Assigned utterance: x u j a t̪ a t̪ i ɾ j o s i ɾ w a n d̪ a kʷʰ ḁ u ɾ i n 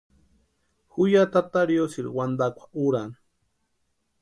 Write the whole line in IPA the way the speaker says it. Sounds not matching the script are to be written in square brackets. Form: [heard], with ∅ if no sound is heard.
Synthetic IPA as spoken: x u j a t̪ a t̪ [a] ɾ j o s i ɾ w a n d̪ a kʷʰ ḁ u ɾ [a] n